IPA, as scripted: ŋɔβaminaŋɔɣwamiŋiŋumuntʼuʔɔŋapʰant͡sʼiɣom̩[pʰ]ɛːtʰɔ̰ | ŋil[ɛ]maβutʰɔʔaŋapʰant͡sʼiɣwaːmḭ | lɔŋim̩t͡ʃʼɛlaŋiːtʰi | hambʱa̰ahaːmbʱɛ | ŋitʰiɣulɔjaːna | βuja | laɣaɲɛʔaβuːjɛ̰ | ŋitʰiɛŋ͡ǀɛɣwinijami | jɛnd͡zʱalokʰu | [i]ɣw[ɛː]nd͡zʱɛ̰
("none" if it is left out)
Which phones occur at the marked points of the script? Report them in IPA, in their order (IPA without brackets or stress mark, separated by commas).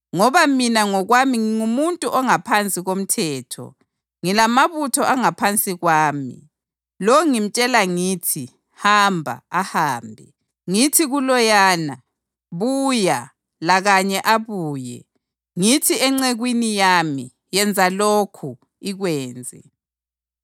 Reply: tʰ, a, i, ɛː